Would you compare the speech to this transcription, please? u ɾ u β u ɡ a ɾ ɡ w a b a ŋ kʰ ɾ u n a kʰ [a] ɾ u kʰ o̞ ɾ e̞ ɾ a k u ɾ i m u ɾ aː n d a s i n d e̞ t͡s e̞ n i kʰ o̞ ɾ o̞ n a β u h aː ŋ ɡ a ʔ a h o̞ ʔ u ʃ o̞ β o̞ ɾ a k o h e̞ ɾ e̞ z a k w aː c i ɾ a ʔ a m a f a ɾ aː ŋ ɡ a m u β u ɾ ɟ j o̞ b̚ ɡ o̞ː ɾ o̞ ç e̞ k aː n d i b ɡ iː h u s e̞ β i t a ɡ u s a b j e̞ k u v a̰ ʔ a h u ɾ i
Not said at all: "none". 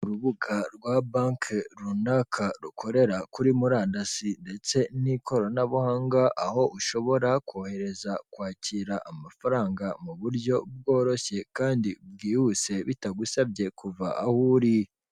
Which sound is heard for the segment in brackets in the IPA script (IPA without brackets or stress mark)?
a